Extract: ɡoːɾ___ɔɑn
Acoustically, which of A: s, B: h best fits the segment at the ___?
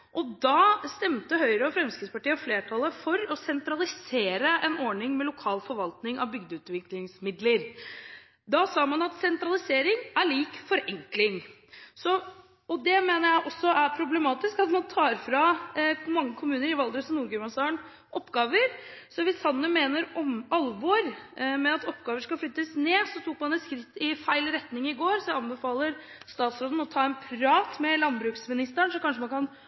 A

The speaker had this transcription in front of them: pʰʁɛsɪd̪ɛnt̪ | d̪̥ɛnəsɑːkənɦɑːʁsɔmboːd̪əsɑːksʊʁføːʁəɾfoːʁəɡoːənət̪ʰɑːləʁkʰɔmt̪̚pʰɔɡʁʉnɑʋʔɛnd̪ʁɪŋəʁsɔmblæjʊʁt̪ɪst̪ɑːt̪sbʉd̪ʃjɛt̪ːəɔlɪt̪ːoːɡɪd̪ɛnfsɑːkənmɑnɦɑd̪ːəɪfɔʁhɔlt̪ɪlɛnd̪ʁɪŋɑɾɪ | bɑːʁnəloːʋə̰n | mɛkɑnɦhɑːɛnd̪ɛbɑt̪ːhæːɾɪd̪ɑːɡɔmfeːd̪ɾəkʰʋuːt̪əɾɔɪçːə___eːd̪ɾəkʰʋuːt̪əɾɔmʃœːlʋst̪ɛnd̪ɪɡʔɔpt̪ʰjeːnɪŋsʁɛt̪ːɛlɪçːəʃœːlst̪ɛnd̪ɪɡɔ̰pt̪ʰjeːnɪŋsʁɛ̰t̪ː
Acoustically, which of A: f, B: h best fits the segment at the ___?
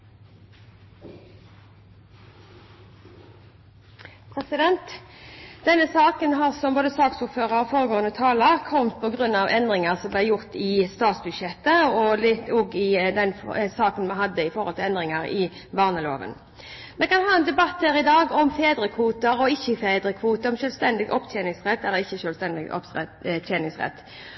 A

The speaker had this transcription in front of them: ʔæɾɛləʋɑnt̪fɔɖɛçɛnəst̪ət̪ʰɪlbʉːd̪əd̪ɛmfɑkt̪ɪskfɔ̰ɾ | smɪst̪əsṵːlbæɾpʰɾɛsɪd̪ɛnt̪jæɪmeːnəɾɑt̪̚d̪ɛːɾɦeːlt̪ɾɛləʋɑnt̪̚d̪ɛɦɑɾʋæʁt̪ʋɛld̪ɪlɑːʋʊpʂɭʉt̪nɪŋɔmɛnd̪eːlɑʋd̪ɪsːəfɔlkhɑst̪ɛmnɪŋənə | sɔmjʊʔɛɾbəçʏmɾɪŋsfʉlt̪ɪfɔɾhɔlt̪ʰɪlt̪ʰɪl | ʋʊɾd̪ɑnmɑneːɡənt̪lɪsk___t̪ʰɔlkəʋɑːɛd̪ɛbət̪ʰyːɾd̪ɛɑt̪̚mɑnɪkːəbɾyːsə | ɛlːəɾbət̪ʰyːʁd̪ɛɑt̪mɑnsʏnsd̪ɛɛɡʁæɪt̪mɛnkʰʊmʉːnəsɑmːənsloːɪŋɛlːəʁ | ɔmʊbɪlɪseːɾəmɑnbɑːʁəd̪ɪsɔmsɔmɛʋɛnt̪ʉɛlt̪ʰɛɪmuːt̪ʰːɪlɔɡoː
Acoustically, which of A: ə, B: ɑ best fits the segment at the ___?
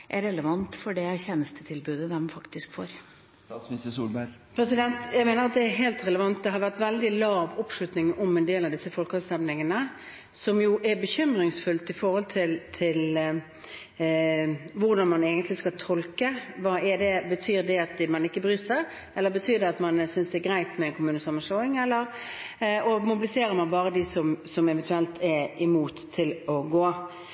B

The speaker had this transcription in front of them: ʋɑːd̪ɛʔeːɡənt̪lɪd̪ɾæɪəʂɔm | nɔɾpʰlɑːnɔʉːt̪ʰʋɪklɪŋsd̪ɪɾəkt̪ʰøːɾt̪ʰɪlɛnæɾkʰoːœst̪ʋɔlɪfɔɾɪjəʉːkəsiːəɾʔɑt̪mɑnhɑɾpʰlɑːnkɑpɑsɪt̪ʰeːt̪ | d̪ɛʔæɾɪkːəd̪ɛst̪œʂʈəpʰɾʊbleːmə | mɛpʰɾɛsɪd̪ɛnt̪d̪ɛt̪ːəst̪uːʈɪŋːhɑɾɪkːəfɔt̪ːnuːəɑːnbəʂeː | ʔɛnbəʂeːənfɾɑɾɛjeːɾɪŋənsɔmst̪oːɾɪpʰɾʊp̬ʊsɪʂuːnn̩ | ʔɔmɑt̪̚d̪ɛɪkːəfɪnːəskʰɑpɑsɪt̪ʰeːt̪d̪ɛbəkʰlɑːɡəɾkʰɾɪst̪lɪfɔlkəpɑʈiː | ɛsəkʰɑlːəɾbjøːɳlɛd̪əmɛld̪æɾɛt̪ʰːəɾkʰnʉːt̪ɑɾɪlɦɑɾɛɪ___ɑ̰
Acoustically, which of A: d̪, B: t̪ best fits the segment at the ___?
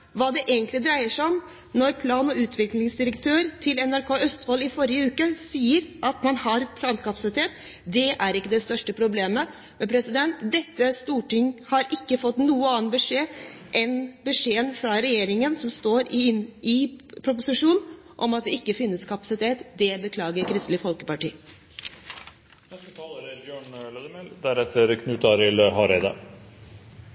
A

